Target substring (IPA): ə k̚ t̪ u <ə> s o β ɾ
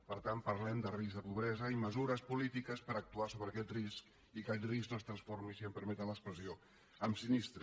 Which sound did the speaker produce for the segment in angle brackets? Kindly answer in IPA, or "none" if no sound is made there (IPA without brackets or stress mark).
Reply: a